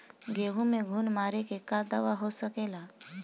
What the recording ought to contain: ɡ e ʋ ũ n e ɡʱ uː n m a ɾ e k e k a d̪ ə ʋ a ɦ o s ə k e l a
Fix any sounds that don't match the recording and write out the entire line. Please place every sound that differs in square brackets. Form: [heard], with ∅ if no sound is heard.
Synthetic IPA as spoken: ɡ e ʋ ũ [m] e ɡʱ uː n m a ɾ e k e k a d̪ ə ʋ a ɦ o s ə k e l a